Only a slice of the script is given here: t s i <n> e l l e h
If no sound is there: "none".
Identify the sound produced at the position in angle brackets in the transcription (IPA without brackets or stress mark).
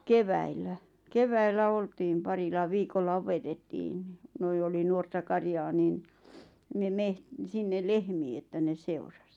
nː